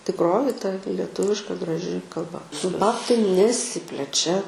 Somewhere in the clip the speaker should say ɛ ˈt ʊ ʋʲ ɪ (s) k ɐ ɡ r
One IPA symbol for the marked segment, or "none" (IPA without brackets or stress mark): ʃ